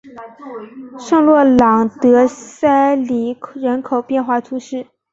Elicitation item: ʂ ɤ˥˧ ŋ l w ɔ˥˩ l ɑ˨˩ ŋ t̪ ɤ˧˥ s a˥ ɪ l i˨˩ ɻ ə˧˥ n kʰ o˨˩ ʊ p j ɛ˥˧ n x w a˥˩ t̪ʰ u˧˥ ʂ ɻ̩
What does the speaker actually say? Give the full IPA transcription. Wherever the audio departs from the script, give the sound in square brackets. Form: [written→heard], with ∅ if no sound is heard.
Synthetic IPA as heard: ʂ ɤ˥˧ ŋ l w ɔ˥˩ l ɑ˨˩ ŋ t̪ ɤ˧˥ s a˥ ɪ l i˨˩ ɻ ə˧˥ n kʰ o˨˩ ʊ p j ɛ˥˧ n x w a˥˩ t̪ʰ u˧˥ ʂ ɻ̩